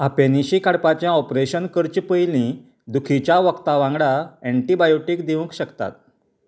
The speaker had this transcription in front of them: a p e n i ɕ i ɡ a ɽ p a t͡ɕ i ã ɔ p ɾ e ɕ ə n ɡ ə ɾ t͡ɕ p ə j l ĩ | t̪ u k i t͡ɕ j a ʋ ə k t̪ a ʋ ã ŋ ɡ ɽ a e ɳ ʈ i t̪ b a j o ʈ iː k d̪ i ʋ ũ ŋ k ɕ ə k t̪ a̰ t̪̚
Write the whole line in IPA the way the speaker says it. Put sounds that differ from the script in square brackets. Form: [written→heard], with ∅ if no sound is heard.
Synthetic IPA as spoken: a p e n i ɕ i [ɡ→k] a ɽ p a t͡ɕ [i→j] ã ɔ p ɾ e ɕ ə n [ɡ→k] ə ɾ t͡ɕ p ə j l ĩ | [t̪→d̪] u [k→kʰ] i t͡ɕ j a ʋ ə k t̪ a ʋ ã ŋ ɡ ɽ a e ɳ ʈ i [t̪→∅] b a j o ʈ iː k d̪ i ʋ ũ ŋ k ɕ ə k t̪ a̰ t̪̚